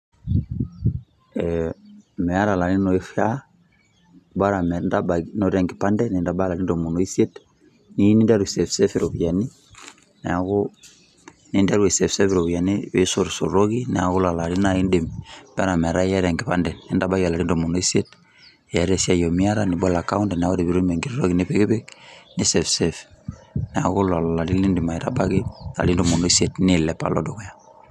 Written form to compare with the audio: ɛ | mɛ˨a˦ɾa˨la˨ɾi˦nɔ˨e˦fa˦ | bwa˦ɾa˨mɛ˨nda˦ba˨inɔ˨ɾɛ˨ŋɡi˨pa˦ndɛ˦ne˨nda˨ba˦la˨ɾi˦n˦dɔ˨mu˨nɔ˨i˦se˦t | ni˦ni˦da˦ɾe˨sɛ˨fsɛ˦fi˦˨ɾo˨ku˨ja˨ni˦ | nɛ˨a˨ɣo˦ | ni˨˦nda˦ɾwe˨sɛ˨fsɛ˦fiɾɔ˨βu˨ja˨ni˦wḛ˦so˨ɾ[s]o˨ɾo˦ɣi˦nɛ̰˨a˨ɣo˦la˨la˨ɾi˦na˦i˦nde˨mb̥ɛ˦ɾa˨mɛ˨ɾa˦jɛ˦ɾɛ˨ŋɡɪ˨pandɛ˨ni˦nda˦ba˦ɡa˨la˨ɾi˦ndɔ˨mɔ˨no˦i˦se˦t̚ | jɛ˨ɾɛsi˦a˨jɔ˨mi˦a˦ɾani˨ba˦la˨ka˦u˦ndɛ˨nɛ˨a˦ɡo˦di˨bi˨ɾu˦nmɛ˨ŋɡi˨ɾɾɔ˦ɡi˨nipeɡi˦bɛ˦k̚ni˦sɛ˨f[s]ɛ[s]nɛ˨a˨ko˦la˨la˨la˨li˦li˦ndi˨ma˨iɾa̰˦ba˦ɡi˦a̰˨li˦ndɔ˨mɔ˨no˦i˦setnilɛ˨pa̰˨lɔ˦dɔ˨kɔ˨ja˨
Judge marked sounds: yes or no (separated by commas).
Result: yes, yes, no